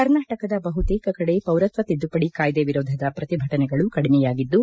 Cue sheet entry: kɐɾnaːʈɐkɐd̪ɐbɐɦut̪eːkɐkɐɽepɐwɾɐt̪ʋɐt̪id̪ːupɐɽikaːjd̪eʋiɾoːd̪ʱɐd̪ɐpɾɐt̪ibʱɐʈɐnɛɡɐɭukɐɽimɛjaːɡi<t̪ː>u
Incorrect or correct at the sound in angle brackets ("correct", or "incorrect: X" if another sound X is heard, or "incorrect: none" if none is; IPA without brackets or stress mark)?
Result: incorrect: d̪ː